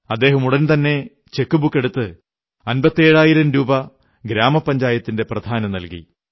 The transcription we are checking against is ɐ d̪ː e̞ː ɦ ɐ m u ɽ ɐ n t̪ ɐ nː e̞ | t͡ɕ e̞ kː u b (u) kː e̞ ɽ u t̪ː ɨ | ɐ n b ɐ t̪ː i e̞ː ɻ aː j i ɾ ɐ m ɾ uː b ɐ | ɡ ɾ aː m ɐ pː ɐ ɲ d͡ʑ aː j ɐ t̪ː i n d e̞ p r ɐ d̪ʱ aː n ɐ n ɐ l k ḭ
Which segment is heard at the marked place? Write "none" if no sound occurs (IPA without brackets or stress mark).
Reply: u